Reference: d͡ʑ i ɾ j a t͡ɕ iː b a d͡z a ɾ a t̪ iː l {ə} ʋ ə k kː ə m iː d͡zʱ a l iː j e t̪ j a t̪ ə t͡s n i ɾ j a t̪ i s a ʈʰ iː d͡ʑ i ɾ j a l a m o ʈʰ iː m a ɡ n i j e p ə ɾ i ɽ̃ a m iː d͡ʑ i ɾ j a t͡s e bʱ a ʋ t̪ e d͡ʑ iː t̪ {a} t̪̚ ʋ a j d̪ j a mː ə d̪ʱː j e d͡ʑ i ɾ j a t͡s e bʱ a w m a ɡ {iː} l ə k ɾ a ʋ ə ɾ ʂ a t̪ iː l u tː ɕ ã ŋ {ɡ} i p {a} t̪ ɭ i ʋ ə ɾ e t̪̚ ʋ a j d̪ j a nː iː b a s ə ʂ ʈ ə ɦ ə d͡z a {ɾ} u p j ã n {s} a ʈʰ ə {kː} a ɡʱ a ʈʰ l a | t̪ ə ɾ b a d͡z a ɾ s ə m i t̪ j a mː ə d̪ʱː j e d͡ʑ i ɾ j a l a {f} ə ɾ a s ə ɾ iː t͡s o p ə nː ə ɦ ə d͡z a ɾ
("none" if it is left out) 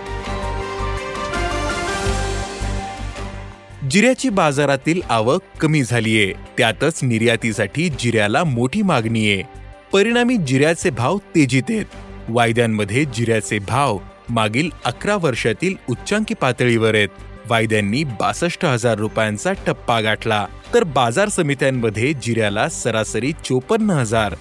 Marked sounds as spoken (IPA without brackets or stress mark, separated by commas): a, e, iː, k, a, ɾː, t͡s, pː, s